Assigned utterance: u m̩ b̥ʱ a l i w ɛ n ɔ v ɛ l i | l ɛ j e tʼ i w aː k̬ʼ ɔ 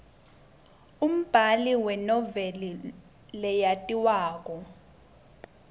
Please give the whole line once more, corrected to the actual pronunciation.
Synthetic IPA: u m̩ b̥ʱ a l i w ɛ n ɔ v ɛ l i | l ɛ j a tʼ i w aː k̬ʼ ɔ